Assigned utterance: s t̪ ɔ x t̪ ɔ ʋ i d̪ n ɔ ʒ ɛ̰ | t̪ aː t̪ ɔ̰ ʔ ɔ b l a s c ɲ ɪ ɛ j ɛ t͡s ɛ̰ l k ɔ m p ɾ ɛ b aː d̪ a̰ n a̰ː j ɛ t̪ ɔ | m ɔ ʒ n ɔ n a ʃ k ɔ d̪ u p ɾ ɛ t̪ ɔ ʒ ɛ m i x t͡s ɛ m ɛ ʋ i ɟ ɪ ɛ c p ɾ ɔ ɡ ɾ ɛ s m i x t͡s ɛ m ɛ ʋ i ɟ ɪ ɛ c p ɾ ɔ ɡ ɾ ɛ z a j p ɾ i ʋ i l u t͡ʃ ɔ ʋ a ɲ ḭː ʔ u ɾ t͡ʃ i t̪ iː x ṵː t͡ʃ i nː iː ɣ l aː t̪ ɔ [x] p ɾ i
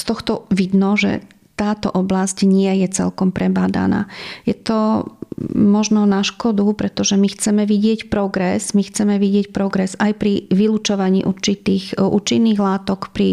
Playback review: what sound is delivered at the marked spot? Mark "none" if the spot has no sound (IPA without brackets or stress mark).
k